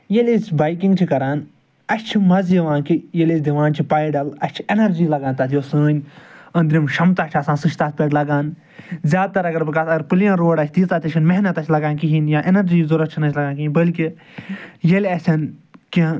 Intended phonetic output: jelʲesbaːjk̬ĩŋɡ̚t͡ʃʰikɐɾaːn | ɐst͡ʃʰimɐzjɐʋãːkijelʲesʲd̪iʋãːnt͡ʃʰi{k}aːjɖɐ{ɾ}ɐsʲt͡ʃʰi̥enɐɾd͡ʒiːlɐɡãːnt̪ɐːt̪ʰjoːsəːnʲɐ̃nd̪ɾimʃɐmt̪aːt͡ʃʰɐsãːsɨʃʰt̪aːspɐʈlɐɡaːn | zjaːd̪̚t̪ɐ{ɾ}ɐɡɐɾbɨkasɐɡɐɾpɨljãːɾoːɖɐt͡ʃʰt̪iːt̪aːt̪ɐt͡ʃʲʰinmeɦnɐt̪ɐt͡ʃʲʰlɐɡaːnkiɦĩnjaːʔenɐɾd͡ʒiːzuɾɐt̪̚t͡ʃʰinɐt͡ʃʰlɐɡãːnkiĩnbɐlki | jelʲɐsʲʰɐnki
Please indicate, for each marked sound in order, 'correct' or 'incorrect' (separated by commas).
incorrect, incorrect, correct